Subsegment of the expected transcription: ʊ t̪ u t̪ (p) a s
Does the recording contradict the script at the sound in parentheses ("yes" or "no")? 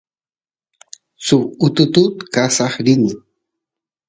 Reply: yes